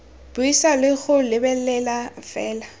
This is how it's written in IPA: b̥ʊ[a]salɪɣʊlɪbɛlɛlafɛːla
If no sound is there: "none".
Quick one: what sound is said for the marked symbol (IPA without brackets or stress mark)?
i